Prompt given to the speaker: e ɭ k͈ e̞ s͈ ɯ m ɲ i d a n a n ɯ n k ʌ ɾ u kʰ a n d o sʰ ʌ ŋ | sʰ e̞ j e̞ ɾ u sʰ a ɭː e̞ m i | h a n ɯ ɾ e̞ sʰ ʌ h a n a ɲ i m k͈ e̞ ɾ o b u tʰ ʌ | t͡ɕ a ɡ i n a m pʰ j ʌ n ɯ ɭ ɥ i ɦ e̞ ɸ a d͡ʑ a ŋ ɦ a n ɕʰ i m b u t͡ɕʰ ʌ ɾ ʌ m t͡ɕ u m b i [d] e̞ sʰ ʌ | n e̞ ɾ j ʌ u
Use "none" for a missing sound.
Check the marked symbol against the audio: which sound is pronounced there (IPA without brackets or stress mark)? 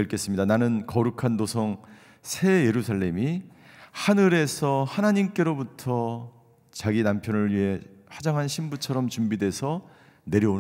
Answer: d